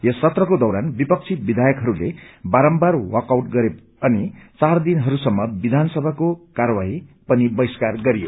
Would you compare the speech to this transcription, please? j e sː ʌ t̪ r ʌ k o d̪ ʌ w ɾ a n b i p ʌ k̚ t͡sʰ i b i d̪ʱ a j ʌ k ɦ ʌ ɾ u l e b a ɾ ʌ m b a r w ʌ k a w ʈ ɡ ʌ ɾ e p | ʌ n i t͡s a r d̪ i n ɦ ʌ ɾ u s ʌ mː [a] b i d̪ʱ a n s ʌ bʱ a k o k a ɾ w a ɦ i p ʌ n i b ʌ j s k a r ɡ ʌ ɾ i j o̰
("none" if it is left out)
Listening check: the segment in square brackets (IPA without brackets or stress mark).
ʌ